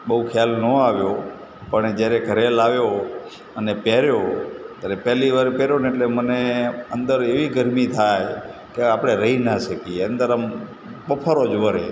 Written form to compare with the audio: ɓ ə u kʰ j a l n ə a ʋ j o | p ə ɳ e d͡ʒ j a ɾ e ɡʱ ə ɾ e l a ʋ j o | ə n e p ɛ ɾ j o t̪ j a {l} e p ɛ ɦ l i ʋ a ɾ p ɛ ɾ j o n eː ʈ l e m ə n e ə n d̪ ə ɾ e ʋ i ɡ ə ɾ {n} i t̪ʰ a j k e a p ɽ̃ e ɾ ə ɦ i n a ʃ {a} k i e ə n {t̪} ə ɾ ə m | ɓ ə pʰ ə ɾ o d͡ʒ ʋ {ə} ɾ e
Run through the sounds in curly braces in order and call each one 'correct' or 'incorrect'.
incorrect: ɾ, incorrect: m, incorrect: ə, incorrect: d̪, correct

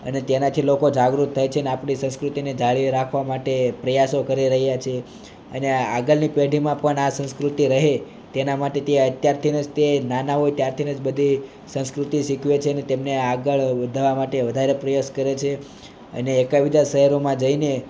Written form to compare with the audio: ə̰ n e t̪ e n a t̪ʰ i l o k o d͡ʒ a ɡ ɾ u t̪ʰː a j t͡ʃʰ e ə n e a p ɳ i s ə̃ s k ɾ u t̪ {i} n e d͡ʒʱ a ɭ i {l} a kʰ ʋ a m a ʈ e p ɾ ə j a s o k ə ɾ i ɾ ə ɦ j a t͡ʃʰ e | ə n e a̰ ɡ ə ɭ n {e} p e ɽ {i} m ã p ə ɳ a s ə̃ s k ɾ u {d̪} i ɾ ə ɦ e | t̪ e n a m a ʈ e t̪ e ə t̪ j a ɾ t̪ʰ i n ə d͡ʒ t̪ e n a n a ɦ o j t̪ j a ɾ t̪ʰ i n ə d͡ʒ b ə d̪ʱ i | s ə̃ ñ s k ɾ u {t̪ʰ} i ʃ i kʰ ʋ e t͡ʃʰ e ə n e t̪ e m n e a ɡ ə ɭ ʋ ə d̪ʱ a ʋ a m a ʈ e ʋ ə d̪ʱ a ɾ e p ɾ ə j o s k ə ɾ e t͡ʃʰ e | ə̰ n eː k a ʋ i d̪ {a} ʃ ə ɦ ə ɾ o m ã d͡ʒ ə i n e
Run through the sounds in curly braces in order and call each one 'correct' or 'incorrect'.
correct, incorrect: ɾ, incorrect: i, correct, incorrect: t̪, incorrect: t̪, correct

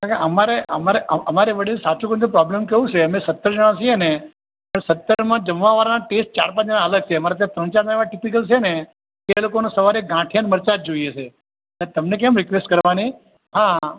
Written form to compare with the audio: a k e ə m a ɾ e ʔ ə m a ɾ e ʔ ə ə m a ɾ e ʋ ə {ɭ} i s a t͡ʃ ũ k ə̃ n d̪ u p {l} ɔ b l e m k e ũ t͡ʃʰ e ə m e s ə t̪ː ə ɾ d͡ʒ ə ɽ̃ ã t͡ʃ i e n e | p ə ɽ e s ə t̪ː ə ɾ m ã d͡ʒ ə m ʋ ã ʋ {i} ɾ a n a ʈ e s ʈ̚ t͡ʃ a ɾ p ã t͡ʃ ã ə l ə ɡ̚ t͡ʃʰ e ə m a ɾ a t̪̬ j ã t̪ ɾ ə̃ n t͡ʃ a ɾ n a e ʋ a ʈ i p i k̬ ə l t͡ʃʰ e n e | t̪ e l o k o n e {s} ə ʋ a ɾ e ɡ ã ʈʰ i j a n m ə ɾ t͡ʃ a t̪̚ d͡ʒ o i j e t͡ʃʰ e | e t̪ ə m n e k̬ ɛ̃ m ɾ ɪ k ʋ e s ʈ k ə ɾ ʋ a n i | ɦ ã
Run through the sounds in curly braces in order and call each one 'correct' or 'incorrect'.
incorrect: ɽ, incorrect: ɾ, incorrect: a, correct

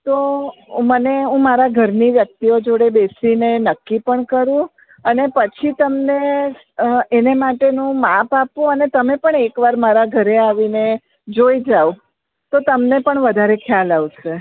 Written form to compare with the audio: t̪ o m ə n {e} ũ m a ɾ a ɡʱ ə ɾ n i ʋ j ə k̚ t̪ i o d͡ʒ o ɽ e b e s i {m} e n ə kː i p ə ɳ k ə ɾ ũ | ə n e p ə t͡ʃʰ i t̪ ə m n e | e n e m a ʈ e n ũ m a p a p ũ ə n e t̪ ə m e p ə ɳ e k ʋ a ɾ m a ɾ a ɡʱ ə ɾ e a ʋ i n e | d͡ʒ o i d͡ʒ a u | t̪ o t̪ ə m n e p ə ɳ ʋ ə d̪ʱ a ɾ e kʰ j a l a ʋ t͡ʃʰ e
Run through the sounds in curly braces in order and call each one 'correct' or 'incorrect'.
correct, incorrect: n

